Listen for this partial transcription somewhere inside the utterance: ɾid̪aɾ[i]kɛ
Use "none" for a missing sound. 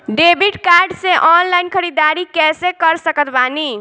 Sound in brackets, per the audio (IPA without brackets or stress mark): i